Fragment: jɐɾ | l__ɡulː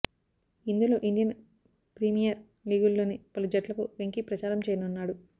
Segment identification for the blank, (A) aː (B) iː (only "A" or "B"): B